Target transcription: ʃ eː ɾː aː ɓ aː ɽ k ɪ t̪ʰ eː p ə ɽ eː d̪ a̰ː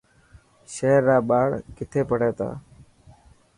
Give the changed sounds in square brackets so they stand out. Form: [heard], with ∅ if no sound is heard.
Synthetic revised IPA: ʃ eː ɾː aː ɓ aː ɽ k ɪ t̪ʰ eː p ə ɽ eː [t̪] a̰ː